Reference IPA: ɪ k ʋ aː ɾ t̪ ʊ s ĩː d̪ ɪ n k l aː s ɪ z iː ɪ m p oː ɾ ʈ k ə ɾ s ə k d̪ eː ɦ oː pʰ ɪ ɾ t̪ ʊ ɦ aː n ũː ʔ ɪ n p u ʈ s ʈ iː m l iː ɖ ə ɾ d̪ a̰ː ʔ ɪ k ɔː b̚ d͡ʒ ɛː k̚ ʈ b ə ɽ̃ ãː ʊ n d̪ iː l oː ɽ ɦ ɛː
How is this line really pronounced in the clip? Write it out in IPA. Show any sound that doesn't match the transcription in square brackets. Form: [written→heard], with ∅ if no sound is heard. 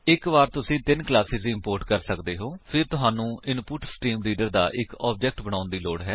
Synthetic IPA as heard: ɪ k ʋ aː ɾ t̪ ʊ s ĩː [d̪→t̪] ɪ n k l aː s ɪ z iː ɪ m p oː ɾ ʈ k ə ɾ s ə k d̪ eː ɦ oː pʰ ɪ ɾ t̪ ʊ ɦ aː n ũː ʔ ɪ n p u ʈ s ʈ iː m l iː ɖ ə ɾ d̪ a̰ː ʔ ɪ k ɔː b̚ d͡ʒ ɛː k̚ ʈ b ə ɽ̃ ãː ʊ n d̪ iː l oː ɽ ɦ ɛː